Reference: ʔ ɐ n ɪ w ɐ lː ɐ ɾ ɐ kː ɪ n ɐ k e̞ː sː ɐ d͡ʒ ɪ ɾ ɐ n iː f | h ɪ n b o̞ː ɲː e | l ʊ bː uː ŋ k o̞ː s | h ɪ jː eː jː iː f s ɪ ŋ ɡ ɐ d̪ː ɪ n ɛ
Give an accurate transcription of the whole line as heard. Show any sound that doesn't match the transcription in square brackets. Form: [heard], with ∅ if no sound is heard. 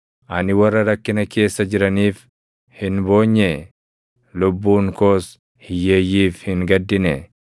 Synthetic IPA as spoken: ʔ ɐ n ɪ w ɐ [rː] ɐ ɾ ɐ kː ɪ n ɐ k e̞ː sː ɐ d͡ʒ ɪ ɾ ɐ n iː f | h ɪ n b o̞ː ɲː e | l ʊ bː uː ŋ k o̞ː s | h ɪ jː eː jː iː f [h] ɪ ŋ ɡ ɐ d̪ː ɪ n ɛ